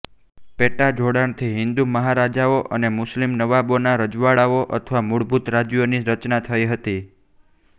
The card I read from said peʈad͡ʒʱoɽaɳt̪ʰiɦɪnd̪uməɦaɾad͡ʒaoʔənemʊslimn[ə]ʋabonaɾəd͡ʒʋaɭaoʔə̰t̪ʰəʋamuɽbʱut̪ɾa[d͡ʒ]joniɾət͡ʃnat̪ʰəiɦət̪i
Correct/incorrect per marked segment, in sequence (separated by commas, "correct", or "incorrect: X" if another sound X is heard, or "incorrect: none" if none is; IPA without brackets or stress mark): correct, correct